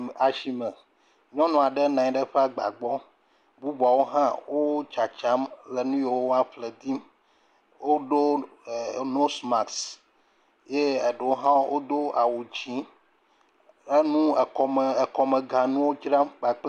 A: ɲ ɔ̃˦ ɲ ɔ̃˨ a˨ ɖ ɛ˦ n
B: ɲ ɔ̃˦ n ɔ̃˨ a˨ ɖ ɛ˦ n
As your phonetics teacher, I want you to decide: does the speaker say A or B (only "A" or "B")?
B